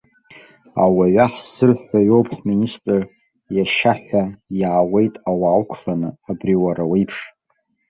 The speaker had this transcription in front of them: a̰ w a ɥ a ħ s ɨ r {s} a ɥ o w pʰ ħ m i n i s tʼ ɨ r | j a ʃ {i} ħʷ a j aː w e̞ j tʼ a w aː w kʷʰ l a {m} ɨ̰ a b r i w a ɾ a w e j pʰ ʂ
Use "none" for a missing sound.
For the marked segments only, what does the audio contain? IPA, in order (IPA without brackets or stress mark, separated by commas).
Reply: ħ, a, n